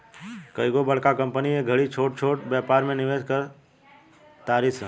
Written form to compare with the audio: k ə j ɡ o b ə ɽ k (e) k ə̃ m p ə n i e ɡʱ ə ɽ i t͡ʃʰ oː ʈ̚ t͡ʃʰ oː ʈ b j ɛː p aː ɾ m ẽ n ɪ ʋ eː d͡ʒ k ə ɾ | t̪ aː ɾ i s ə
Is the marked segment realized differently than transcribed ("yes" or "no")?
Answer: yes